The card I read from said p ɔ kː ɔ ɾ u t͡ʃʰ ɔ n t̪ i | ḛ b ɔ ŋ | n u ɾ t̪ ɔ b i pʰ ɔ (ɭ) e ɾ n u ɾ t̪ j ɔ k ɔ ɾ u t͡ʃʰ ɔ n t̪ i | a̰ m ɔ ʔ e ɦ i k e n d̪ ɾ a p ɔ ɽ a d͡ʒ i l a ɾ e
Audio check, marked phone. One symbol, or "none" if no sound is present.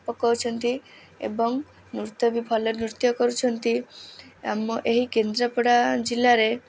l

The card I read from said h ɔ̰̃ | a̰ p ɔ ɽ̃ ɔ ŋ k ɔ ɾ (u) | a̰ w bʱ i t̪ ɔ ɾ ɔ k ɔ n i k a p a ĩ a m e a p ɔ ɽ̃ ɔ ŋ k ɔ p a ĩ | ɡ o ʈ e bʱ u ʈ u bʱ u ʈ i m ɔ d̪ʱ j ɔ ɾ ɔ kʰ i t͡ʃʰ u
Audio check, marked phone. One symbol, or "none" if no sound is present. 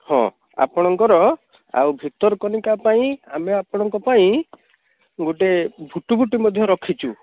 ɔ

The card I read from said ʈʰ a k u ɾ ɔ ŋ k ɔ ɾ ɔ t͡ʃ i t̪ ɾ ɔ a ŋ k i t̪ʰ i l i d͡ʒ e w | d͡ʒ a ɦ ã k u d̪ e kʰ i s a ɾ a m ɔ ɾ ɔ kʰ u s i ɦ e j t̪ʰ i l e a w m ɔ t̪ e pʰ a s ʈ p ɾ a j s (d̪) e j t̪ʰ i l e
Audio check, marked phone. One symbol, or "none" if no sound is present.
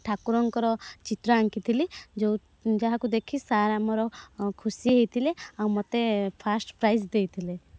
d̪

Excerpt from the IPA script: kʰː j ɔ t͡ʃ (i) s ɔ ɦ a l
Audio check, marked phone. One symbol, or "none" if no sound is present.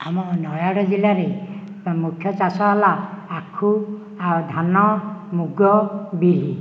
a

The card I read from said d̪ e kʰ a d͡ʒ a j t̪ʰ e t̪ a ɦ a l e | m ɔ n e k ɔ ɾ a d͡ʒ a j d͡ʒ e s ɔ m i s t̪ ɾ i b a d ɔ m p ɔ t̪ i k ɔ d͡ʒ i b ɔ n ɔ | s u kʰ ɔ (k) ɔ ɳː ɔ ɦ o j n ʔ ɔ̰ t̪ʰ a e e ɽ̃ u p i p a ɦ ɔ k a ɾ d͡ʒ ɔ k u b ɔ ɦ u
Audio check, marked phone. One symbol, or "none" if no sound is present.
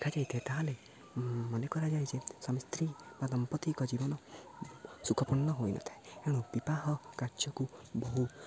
p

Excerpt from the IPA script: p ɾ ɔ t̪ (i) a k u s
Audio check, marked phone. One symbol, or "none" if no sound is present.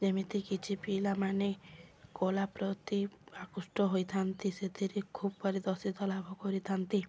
i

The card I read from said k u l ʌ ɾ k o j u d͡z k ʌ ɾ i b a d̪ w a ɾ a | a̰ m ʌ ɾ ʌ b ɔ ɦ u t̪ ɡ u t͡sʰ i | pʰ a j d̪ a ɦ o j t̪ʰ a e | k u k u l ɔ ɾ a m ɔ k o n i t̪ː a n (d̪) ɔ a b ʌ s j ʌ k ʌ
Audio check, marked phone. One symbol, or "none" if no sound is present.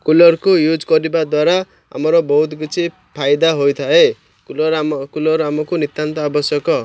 t̪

